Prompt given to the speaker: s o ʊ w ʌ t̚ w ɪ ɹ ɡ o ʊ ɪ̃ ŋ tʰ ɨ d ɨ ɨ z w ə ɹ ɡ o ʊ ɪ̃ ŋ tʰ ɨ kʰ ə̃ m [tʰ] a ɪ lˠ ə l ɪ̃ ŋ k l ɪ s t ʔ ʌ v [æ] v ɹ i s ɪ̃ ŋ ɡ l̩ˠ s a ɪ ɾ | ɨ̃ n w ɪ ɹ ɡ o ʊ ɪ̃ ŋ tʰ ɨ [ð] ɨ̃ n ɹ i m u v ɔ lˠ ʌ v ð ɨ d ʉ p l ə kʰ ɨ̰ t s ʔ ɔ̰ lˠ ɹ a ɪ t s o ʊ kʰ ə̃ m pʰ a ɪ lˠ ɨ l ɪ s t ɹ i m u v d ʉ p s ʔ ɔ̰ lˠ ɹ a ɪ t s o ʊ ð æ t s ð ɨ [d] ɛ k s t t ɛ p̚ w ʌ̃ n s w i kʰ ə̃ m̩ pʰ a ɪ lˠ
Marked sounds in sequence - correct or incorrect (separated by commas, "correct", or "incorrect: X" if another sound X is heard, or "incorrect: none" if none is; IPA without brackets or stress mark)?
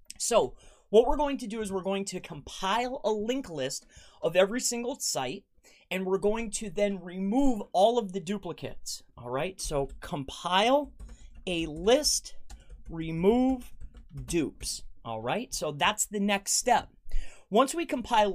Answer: incorrect: pʰ, incorrect: ɛ, correct, incorrect: n